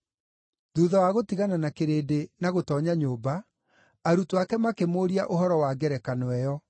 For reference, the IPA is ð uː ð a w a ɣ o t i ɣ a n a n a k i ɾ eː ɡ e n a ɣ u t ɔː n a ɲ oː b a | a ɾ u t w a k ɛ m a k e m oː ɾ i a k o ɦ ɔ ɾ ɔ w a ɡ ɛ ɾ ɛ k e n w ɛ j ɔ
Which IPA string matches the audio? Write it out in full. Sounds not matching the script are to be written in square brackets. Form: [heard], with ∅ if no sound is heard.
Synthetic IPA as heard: ð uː ð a w a ɣ o t i ɣ a n a n a k [e] ɾ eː [d] e n a ɣ [o] t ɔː [ɲ] a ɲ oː b a | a ɾ u t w a k ɛ m a k e m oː ɾ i a [ʔ] o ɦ ɔ ɾ ɔ w a ɡ ɛ ɾ ɛ k [a] n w ɛ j ɔ